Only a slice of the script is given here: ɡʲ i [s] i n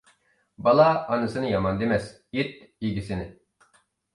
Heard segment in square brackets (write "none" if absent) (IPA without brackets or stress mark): s